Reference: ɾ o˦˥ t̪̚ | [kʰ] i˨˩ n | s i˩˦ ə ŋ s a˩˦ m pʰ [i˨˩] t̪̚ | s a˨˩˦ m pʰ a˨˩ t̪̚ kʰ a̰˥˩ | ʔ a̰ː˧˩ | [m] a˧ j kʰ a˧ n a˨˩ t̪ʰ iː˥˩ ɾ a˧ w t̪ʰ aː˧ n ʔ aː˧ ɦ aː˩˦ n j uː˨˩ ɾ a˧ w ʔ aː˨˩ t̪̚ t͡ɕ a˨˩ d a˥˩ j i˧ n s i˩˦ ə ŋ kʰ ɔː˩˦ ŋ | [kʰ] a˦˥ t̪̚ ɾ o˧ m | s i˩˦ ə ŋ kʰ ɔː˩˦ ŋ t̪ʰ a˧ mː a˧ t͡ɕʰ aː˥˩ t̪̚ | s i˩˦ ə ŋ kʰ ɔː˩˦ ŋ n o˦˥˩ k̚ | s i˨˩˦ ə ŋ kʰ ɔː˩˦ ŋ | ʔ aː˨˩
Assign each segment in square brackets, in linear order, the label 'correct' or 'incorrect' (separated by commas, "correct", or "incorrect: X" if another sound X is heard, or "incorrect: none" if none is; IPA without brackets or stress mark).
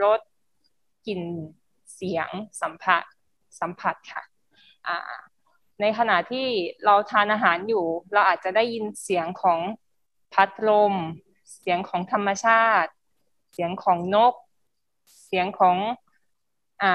incorrect: k, incorrect: a˨˩, incorrect: n, incorrect: pʰ